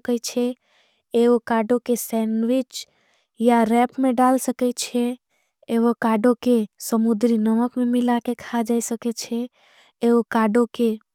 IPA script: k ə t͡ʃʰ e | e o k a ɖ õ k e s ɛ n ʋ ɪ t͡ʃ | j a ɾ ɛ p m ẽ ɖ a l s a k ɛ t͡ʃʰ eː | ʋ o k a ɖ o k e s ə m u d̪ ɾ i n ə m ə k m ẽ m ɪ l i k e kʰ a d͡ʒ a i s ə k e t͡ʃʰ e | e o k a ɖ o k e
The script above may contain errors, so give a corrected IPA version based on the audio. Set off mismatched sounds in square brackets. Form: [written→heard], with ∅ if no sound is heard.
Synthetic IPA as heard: k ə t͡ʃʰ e | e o k a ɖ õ k e s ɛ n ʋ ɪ t͡ʃ | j a ɾ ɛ p m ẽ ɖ a l s [a→ə] k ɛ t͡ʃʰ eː | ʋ o k a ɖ o k e s ə m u d̪ ɾ i n ə m ə k m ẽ m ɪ l [i→a] k e kʰ a d͡ʒ a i s ə k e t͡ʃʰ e | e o k a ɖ o k e